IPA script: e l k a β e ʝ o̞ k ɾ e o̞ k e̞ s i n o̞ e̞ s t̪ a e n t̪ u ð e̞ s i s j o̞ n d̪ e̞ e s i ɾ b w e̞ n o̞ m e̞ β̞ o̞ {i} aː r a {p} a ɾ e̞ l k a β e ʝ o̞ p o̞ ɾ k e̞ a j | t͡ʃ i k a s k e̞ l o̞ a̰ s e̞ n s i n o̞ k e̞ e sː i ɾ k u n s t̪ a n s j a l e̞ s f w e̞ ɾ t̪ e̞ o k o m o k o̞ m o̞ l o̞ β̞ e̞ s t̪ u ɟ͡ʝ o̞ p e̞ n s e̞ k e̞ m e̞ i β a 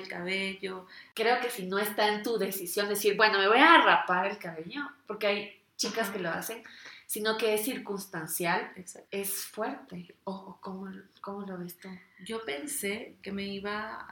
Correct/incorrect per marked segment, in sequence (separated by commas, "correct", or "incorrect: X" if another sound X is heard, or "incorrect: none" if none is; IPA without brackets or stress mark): incorrect: j, correct